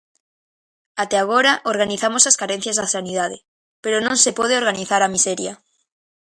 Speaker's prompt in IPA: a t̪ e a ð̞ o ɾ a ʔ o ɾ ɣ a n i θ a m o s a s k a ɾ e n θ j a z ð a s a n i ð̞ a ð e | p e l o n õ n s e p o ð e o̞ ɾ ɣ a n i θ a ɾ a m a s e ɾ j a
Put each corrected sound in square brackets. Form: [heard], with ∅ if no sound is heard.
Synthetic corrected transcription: a t̪ e a [ɣ̞] o ɾ a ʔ o ɾ ɣ a n i θ a m o s a s k a ɾ e n θ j a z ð a s a n i ð̞ a ð e | p e [ɾ] o n õ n s e p o ð e o̞ ɾ ɣ a n i θ a ɾ a m [i] s e ɾ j a

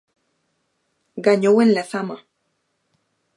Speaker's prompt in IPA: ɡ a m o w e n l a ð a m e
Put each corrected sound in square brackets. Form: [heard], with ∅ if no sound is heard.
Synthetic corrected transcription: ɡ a [ɲ] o w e n l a [θ] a m [a]

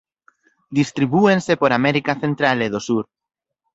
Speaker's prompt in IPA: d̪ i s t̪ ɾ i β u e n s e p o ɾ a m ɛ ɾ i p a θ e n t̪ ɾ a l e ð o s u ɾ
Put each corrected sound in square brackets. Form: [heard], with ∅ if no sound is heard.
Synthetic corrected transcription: d̪ i s t̪ ɾ i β u e n s e p o ɾ a m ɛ ɾ i [k] a θ e n t̪ ɾ a l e ð o s u ɾ

